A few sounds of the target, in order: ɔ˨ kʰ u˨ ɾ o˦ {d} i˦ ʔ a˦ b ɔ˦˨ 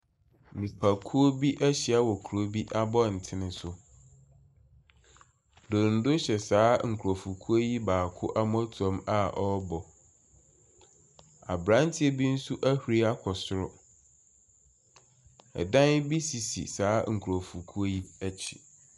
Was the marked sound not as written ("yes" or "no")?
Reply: yes